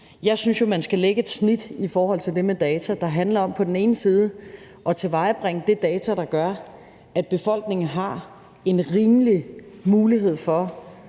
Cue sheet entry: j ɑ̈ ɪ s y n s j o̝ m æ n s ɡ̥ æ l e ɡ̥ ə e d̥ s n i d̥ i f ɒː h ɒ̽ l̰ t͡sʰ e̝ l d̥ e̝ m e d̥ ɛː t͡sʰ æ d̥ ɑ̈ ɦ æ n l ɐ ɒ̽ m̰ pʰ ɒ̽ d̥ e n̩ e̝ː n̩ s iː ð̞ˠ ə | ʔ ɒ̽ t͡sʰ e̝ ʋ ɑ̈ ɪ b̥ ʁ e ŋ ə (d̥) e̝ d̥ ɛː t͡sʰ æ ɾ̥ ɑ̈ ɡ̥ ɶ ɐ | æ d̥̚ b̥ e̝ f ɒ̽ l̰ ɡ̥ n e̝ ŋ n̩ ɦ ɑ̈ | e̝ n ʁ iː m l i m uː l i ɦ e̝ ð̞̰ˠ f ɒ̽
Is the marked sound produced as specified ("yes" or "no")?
yes